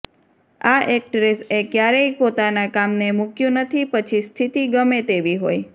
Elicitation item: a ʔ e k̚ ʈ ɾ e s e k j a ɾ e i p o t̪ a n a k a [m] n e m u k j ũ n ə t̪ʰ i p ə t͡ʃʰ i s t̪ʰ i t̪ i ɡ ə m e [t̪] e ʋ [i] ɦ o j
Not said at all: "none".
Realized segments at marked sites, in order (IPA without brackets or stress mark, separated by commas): m, t̪, i